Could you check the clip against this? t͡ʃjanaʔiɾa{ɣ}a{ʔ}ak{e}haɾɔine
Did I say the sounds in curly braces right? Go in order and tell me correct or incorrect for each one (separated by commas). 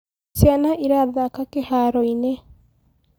incorrect, incorrect, correct